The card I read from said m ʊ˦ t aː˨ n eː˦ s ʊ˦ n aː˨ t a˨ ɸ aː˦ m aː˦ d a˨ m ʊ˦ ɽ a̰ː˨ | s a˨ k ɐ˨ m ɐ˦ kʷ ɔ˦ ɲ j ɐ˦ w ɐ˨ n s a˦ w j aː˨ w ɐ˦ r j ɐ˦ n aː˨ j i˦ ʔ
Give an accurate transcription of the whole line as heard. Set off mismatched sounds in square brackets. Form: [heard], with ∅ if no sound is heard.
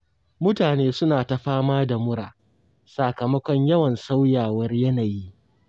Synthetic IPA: m ʊ˦ t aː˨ n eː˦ s ʊ˦ n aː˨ t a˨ ɸ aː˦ m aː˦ d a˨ m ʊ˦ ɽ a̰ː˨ | s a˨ k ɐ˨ m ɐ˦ kʷ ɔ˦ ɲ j ɐ˦ w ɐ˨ n s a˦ w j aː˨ w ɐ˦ r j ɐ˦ n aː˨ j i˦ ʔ